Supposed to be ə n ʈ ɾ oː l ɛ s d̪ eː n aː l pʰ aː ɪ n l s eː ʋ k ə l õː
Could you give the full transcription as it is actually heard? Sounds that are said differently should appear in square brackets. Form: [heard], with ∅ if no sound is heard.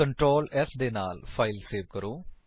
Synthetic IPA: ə [ɳ] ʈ ɾ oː l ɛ s d̪ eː n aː l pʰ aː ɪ [∅] l s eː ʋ k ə [ɾ] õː